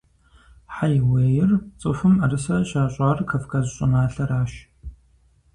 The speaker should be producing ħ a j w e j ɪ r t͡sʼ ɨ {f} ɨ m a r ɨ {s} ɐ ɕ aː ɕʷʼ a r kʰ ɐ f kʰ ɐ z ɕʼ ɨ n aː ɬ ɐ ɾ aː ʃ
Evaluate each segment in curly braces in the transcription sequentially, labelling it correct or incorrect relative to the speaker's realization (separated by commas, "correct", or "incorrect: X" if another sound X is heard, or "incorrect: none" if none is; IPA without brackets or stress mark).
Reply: correct, correct